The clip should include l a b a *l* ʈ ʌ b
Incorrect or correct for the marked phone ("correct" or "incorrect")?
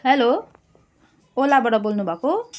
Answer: incorrect